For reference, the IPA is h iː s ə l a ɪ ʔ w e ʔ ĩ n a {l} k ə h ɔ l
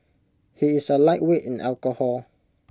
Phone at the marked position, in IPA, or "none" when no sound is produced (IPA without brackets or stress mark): l